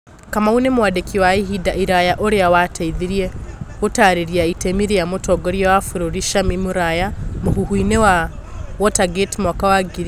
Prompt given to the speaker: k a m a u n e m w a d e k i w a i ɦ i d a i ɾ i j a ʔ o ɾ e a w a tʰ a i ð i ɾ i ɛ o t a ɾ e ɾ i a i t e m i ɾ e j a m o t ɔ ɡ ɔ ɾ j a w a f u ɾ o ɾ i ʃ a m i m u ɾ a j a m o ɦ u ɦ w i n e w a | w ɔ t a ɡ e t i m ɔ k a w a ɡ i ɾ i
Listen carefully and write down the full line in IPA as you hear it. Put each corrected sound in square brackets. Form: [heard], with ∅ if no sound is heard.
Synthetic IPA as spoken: k a m a u n e m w a d e k i w a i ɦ i d a i ɾ [a] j a ʔ o ɾ e a w a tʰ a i ð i ɾ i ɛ o t a ɾ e ɾ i a i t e m i ɾ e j a m o t ɔ ɡ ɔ ɾ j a w a f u ɾ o ɾ i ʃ a m i m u ɾ a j a m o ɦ u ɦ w i n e w a | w ɔ t a ɡ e t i m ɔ k a w a ɡ i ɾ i